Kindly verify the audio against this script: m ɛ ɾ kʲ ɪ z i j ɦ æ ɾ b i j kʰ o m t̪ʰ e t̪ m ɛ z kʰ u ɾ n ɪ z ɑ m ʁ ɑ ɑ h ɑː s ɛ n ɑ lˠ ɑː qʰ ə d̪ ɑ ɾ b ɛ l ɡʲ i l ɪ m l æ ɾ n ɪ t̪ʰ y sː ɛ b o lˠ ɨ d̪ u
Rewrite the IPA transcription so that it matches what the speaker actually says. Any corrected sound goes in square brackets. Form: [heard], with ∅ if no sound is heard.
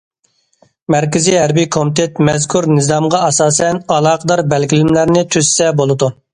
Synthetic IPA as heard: m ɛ ɾ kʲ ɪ z i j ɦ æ ɾ b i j kʰ o m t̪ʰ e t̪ m ɛ z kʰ u ɾ n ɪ z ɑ m ʁ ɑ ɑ [s] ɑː s ɛ n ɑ lˠ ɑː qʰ ə d̪ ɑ ɾ b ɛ l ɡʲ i l ɪ m l æ ɾ n ɪ t̪ʰ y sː ɛ b o lˠ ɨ d̪ u